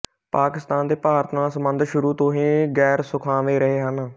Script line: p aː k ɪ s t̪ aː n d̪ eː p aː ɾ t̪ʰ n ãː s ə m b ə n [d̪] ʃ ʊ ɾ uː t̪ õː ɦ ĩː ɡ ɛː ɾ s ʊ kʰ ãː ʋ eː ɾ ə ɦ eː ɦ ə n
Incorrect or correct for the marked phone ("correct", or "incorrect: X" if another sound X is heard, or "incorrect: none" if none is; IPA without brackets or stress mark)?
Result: correct